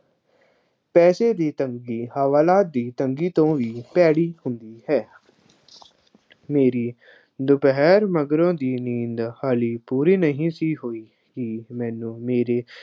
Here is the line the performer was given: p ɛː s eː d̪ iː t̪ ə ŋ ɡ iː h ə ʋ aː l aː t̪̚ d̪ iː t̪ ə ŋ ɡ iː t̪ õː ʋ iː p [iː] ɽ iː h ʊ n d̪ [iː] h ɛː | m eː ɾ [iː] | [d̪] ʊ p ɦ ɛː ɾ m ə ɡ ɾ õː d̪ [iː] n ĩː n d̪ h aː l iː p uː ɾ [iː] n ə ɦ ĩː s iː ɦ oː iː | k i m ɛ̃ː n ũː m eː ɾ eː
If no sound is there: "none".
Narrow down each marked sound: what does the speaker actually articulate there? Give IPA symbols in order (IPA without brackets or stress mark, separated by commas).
ɛː, iː, iː, d̪, iː, iː